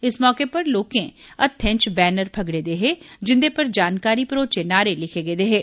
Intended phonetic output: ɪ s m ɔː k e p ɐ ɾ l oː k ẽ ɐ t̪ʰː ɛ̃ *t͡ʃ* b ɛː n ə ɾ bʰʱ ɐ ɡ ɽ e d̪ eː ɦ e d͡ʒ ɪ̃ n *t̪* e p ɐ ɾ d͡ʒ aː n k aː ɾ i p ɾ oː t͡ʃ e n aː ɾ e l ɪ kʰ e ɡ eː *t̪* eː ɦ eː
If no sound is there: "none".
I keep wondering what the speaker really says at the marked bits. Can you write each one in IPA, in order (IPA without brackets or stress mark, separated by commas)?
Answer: t͡ʃ, d̪, d̪